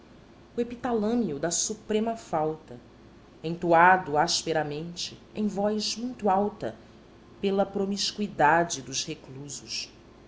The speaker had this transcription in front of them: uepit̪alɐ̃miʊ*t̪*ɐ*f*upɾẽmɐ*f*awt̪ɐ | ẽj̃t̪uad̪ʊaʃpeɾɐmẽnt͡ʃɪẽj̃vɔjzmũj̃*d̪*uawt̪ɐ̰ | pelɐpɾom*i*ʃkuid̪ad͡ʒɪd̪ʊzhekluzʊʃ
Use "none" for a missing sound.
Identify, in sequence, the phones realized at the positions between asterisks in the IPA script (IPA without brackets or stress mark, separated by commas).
d̪, s, f, t̪, i